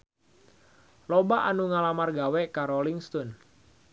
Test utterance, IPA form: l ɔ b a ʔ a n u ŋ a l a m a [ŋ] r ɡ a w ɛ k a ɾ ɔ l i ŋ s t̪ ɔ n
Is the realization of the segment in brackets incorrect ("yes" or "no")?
yes